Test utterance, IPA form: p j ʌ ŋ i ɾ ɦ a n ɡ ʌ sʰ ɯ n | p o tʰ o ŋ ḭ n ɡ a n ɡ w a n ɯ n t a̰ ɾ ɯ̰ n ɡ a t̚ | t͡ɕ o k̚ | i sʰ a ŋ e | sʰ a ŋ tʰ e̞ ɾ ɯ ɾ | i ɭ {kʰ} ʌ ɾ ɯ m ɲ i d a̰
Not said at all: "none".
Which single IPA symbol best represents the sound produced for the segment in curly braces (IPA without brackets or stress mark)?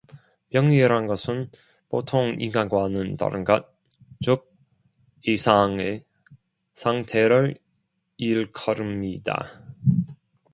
kʰ